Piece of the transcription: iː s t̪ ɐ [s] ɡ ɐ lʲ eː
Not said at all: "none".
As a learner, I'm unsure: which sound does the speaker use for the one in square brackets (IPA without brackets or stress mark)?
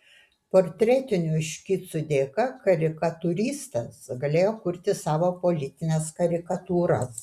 s